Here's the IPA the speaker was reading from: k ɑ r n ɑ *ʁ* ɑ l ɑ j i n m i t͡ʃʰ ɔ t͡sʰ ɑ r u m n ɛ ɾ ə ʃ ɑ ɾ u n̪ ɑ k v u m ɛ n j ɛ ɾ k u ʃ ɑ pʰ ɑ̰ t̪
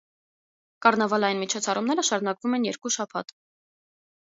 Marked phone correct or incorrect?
incorrect: v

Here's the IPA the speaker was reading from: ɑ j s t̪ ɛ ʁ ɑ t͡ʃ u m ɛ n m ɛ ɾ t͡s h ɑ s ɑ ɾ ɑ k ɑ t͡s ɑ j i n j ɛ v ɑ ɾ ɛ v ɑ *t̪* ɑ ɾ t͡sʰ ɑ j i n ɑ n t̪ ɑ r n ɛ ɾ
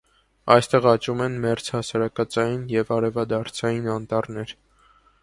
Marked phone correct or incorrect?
incorrect: d̪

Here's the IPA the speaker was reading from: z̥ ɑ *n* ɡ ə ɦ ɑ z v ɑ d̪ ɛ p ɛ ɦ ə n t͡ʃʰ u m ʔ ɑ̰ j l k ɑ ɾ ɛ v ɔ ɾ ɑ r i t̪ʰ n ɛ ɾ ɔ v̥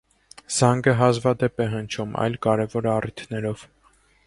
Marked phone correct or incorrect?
incorrect: ŋ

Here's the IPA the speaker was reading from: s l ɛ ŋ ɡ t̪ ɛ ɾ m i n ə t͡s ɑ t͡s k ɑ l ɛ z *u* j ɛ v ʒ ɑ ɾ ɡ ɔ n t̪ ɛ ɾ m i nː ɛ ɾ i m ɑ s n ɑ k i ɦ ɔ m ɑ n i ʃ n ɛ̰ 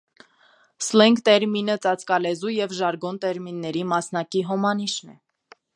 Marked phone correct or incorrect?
correct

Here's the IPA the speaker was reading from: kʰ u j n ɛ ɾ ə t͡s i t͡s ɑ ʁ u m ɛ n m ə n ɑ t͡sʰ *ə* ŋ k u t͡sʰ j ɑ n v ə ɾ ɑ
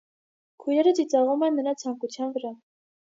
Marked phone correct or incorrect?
incorrect: ɑ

